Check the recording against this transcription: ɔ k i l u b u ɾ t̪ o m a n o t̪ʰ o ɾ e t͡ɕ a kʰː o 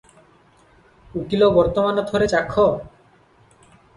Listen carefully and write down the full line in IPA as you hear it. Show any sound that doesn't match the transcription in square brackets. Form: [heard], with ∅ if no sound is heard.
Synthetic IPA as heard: [u] k i l [o] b [ɔ] ɾ t̪ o m a n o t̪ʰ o ɾ e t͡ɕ a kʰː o